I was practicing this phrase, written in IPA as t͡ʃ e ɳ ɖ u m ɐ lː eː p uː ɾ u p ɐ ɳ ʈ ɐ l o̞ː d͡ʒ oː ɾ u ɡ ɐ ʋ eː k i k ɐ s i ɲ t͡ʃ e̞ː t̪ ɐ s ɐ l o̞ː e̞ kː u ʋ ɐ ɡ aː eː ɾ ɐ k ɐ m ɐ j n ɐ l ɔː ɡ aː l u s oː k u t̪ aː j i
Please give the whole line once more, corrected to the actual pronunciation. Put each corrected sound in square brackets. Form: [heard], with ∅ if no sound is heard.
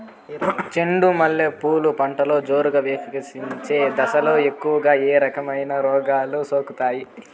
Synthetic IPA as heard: t͡ʃ e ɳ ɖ u m ɐ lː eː p uː [l] u p ɐ ɳ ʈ ɐ l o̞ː d͡ʒ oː ɾ u ɡ ɐ ʋ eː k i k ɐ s i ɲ t͡ʃ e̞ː [d̪] ɐ s ɐ l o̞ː e̞ kː u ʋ ɐ ɡ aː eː ɾ ɐ k ɐ m ɐ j n ɐ [ɾ] ɔː ɡ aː l u s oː k u t̪ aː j i

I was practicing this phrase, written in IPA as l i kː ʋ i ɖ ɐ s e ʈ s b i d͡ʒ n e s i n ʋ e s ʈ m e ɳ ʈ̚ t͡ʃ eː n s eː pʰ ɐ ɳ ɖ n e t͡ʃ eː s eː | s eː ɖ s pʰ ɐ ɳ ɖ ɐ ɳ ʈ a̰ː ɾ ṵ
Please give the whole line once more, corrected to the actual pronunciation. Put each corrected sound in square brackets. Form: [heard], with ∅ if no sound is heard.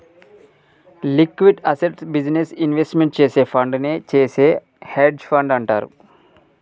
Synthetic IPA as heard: l i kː ʋ i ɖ ɐ s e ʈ s b i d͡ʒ n e s i n ʋ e s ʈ m e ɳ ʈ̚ t͡ʃ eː [∅] s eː pʰ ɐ ɳ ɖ n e t͡ʃ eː s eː | [h] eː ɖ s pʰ ɐ ɳ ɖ ɐ ɳ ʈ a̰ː ɾ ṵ

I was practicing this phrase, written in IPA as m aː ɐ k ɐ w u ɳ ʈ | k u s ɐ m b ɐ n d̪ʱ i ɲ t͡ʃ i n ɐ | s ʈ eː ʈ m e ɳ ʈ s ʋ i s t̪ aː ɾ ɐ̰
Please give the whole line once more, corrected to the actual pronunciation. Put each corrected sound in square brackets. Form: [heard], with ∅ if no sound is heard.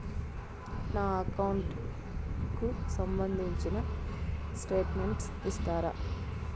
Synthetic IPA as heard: [n] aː ɐ k ɐ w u ɳ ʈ | k u s ɐ m b ɐ n d̪ʱ i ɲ t͡ʃ i n ɐ | s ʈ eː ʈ m e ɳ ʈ s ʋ i s t̪ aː ɾ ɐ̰

